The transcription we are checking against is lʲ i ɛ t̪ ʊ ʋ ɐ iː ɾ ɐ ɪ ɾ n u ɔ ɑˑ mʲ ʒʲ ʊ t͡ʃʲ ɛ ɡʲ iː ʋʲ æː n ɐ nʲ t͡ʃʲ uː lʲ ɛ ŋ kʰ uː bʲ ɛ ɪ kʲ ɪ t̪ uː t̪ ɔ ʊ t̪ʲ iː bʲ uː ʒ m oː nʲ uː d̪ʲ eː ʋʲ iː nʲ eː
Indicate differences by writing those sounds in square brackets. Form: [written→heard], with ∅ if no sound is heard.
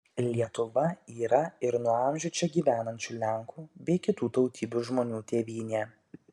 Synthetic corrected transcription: lʲ i ɛ t̪ ʊ ʋ ɐ iː ɾ ɐ ɪ ɾ n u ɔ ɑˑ mʲ ʒʲ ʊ t͡ʃʲ ɛ ɡʲ iː ʋʲ æː n ɐ nʲ t͡ʃʲ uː lʲ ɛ ŋ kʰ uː bʲ ɛ ɪ kʲ ɪ t̪ uː t̪ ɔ ʊ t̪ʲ iː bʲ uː ʒ m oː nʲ uː [d̪ʲ→t̪ʲ] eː ʋʲ iː nʲ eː